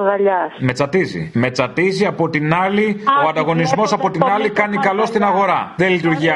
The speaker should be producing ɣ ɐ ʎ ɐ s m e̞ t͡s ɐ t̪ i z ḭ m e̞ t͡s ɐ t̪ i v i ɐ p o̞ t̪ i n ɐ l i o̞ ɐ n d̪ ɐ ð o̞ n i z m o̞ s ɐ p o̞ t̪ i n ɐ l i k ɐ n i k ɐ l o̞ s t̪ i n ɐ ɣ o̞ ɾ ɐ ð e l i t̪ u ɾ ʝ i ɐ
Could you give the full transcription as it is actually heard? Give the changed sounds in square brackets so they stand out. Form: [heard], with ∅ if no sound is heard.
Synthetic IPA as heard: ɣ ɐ ʎ ɐ s m e̞ t͡s ɐ t̪ i z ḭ m e̞ t͡s ɐ t̪ i [z] i ɐ p o̞ t̪ i n ɐ l i o̞ ɐ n d̪ ɐ [ɣ] o̞ n i z m o̞ s ɐ p o̞ t̪ i n ɐ l i k ɐ n i k ɐ l o̞ s t̪ i n ɐ ɣ o̞ ɾ ɐ ð e l i t̪ u ɾ ʝ i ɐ